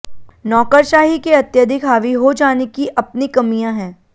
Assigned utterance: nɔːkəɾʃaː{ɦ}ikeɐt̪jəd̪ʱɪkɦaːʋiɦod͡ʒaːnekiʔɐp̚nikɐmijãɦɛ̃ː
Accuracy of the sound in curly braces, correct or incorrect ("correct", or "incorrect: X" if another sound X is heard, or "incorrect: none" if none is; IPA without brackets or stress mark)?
correct